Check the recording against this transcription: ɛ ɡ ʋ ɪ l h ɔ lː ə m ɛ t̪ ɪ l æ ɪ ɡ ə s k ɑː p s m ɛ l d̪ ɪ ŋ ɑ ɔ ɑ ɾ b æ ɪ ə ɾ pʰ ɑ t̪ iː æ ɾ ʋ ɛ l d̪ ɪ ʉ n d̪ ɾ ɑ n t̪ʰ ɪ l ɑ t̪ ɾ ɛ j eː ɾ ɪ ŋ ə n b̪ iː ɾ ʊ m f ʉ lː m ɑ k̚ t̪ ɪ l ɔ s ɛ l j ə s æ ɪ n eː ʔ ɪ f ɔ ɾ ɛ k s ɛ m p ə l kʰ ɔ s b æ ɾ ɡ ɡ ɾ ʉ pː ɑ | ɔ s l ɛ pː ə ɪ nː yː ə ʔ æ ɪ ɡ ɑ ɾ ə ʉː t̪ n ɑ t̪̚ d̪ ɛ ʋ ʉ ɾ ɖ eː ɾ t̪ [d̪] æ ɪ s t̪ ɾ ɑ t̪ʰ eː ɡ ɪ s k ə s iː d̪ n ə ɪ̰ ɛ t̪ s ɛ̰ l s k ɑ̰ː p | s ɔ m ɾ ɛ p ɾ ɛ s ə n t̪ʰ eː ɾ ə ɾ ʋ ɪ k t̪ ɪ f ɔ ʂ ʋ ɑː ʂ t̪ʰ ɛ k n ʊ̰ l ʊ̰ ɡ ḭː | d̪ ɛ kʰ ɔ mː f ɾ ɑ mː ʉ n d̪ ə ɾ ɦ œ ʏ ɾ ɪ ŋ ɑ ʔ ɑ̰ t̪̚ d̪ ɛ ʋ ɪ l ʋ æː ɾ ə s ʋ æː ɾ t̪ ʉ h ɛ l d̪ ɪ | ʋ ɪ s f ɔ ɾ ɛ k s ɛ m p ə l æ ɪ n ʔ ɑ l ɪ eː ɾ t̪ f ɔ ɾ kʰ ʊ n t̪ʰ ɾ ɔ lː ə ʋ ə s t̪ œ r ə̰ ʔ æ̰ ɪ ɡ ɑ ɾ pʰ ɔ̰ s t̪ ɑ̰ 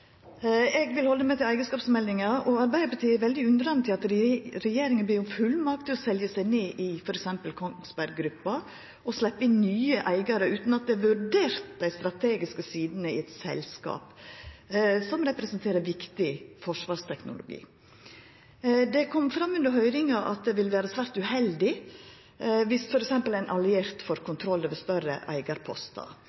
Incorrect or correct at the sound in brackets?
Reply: correct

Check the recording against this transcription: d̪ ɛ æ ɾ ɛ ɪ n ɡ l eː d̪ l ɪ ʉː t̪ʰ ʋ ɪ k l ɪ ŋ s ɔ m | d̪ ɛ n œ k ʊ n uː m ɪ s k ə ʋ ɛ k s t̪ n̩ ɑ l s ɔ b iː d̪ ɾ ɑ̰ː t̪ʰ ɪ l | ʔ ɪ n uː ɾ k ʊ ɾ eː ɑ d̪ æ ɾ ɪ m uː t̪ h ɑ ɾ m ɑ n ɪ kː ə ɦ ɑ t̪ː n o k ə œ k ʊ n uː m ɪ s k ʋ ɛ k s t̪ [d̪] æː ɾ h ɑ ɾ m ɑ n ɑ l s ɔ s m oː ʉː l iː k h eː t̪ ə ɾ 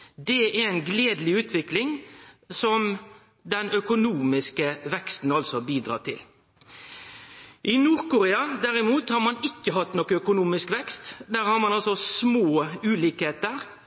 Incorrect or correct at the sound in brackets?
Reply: correct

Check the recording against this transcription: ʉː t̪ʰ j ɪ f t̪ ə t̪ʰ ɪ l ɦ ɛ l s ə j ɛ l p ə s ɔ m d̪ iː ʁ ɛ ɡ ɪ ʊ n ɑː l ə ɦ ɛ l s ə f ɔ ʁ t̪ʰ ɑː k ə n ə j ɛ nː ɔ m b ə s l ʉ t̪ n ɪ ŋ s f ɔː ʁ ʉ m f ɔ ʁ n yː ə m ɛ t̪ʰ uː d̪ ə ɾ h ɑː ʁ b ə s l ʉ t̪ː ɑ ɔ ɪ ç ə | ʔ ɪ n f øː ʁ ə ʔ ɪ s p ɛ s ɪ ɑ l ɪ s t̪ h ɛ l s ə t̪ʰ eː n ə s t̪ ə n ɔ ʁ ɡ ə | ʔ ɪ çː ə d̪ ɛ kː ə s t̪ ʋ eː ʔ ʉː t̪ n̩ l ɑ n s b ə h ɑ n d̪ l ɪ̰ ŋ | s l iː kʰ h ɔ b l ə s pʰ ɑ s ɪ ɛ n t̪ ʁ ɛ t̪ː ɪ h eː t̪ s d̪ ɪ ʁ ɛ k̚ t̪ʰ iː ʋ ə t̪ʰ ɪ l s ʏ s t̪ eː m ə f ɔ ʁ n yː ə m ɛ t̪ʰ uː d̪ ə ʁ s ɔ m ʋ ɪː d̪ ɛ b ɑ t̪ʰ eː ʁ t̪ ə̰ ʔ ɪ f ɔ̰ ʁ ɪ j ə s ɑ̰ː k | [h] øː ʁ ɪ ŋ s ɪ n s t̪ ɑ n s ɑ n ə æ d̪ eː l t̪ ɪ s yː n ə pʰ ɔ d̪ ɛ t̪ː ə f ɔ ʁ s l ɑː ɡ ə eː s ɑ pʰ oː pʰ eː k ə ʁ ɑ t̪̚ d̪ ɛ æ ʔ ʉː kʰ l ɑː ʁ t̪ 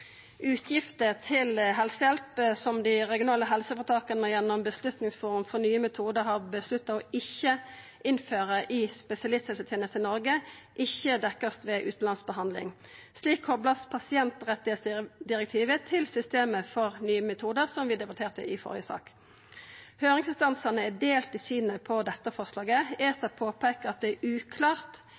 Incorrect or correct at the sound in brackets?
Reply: correct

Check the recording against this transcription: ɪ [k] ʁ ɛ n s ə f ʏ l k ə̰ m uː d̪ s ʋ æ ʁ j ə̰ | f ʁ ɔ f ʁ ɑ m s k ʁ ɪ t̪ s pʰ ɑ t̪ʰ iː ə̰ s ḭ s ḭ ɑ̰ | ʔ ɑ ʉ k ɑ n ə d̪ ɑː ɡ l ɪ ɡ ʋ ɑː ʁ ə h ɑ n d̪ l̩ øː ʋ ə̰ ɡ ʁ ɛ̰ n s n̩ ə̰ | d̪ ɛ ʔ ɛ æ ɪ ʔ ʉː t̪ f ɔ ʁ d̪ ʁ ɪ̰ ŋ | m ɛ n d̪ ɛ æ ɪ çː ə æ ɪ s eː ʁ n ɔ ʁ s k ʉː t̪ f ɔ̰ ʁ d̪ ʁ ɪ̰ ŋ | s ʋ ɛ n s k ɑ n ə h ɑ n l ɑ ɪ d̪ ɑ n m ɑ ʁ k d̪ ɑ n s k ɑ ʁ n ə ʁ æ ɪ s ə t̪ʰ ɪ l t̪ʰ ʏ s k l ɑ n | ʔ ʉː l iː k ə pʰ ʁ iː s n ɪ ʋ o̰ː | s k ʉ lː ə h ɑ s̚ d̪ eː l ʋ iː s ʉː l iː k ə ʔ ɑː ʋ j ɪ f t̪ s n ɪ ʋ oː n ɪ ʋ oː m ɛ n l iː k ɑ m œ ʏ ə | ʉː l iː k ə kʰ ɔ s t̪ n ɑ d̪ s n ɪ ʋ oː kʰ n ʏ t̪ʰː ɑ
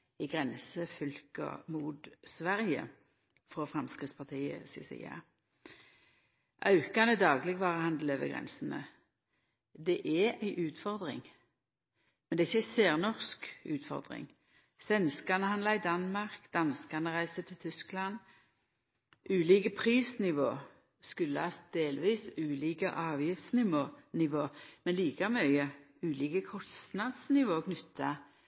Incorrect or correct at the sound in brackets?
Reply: incorrect: ɡ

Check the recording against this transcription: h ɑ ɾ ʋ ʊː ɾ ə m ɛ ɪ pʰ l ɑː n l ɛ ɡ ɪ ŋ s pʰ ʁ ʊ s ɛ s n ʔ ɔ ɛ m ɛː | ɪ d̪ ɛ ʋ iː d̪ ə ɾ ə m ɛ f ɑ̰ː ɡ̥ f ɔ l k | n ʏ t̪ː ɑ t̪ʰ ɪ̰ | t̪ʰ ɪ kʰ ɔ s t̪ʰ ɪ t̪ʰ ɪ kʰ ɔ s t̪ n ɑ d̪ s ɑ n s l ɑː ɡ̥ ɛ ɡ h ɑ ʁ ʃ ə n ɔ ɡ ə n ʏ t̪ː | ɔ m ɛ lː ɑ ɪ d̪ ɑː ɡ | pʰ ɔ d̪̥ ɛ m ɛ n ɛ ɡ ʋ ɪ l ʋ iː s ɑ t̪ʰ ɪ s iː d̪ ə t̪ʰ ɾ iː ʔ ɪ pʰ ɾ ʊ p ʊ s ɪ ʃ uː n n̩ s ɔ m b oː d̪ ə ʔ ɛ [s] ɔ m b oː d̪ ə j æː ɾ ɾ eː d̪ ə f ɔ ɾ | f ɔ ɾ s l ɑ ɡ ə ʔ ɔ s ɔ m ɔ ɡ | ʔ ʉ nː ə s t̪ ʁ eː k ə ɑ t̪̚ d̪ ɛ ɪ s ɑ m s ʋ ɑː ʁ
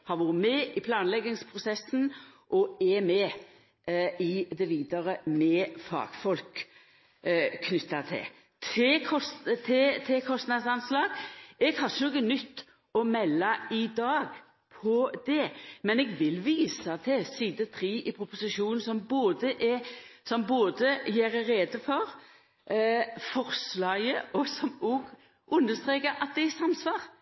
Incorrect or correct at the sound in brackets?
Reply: correct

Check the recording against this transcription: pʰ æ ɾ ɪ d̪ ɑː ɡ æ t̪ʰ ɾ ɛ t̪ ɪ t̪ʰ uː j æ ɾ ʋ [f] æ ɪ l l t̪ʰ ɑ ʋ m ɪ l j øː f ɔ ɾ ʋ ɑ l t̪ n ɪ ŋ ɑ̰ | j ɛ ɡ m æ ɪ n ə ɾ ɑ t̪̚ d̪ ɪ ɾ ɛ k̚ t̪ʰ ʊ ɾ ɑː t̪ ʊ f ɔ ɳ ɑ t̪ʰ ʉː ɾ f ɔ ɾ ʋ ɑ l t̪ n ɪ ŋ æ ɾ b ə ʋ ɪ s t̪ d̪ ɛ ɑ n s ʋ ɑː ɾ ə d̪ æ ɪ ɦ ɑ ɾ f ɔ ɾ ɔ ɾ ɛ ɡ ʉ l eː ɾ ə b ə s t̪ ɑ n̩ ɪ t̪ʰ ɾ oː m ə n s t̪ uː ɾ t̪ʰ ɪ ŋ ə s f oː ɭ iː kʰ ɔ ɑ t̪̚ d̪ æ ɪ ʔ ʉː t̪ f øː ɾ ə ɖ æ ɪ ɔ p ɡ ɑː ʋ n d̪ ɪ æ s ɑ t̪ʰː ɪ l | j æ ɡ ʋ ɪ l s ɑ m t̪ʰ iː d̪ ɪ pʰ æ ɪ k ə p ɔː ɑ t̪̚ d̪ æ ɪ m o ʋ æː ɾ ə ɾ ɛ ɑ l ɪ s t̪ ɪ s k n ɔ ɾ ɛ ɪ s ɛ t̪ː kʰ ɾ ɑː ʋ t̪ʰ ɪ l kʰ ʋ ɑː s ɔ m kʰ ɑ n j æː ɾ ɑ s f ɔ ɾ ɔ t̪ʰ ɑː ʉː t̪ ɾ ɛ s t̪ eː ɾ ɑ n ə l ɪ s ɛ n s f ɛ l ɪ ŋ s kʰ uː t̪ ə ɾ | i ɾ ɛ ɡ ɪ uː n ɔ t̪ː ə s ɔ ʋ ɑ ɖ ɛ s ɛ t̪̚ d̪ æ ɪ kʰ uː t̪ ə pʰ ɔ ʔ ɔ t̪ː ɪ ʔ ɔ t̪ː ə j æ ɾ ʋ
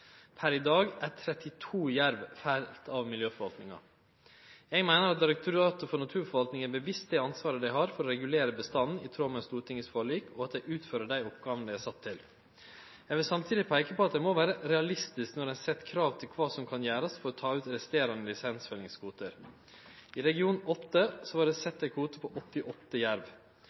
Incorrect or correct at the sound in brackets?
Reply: correct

